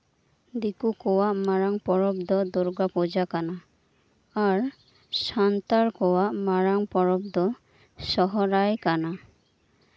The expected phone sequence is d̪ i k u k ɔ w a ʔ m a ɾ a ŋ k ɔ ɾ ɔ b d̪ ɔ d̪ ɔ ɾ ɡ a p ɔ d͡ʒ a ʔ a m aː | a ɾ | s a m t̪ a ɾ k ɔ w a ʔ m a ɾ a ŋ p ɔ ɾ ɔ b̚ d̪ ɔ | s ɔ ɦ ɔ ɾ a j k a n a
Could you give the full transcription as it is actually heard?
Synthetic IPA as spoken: d̪ i k u k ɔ w a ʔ m a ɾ a ŋ p ɔ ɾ ɔ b d̪ ɔ d̪ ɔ ɾ ɡ a p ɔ d͡ʒ a k a n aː | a ɾ | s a n t̪ a ɾ k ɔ w a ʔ m a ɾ a ŋ p ɔ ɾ ɔ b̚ d̪ ɔ | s ɔ ɦ ɔ ɾ a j k a n a